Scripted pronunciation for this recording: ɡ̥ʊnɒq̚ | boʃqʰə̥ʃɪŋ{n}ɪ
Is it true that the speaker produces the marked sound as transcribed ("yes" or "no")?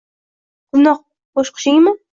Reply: no